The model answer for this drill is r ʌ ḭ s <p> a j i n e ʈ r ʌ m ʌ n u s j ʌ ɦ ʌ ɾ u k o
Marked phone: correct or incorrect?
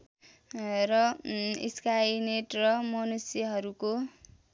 incorrect